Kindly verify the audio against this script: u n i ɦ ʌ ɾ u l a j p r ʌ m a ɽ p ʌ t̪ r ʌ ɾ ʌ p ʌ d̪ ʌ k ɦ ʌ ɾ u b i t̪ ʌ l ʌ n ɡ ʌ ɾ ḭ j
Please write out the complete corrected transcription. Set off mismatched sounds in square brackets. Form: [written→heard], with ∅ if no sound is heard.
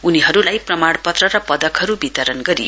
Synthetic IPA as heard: u n i ɦ ʌ ɾ u l a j p r ʌ m a ɽ p ʌ t̪ r ʌ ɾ ʌ p ʌ d̪ ʌ k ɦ ʌ ɾ u b i t̪ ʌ [l→ɾ] ʌ n ɡ ʌ ɾ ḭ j